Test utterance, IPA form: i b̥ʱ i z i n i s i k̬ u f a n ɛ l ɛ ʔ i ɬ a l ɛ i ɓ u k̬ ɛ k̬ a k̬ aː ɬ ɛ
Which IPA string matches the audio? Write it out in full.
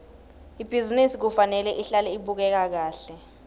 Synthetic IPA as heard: i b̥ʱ i z i n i s i k̬ u f a n ɛ l ɛ ʔ i ɬ a l ɛ i ɓ u k̬ ɛ k̬ a k̬ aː ɬ ɛ

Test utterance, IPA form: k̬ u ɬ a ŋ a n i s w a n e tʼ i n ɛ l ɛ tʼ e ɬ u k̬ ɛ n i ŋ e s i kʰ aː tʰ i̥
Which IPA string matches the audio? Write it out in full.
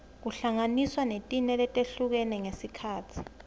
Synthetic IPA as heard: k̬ u ɬ a ŋ a n i s w a n e tʼ i n ɛ l ɛ tʼ e ɬ u k̬ ɛ n ɛ ŋ e s i kʰ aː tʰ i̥

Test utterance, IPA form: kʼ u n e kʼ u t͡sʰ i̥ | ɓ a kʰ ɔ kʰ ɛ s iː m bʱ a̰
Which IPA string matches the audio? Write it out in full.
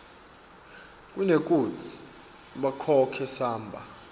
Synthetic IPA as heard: kʼ u n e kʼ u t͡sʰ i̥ | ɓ a kʰ ɔ kʰ ɛ s aː m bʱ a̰

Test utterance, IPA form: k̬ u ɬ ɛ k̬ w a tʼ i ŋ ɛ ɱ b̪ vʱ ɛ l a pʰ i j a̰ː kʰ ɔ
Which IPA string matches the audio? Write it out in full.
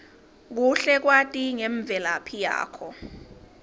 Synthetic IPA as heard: k̬ u ɬ ɛ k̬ w a tʼ i ŋ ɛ ɱ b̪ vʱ ɛ l a pʰ i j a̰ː kʰ ɔ

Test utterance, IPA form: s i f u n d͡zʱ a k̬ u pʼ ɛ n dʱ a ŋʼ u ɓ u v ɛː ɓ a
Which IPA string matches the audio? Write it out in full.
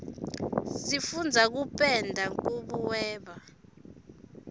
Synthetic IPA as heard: s i f u n d͡zʱ a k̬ u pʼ ɛ n dʱ a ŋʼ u ɓ u w ɛː ɓ a

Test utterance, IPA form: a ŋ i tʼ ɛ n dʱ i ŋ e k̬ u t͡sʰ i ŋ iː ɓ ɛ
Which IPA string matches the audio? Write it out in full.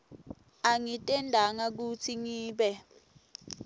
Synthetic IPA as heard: a ŋ i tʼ ɛ n dʱ a ŋ a k̬ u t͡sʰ i ŋ iː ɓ ɛ

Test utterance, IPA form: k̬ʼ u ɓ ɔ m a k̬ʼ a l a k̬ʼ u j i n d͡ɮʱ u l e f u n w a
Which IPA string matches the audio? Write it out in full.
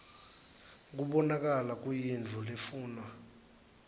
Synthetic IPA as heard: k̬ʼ u ɓ ɔ n a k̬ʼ a l a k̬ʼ u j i n d͡ɮʱ u l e f uː n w a

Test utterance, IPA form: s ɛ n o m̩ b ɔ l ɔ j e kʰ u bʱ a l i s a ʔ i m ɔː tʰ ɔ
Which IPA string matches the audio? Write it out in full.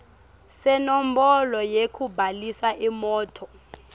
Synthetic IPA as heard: s ɛ n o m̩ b ɔ l ɔ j e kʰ u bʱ a l i s a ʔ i m ɔː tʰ ɔ

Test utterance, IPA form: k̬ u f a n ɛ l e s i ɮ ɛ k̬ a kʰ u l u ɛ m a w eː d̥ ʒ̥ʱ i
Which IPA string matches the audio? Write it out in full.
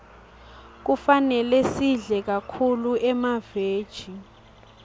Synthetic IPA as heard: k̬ u f a n ɛ l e s i ɮ ɛ k̬ a kʰ u l u ɛ m a v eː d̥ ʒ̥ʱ i

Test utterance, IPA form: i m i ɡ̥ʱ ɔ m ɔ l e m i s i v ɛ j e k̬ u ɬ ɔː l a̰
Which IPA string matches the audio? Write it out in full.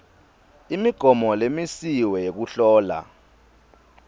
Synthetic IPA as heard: i m i ɡ̥ʱ ɔ m ɔ l e m i s i w ɛ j e k̬ u ɬ ɔː l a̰

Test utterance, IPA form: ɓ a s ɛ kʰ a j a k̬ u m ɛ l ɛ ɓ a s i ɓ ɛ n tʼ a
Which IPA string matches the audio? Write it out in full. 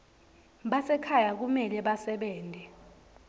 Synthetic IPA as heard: ɓ a s ɛ kʰ a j a k̬ u m ɛ l ɛ ɓ a s ɛ ɓ ɛː n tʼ ɛ

